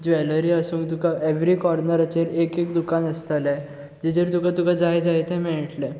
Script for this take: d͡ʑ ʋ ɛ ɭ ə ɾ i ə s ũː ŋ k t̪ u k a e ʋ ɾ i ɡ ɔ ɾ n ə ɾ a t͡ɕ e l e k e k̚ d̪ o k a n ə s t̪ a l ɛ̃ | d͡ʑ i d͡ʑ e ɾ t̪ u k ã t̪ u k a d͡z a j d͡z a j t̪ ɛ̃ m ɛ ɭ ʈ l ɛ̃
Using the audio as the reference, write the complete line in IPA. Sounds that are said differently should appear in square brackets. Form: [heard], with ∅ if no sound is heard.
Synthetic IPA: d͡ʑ ʋ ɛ [l] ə ɾ i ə s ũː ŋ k t̪ u k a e ʋ ɾ i [k] ɔ ɾ n ə ɾ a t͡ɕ e [ɾ] e k e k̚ d̪ [u] k a n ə s t̪ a l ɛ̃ | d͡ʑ i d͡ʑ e ɾ t̪ u k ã t̪ u k a d͡z a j d͡z a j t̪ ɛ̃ m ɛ ɭ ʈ l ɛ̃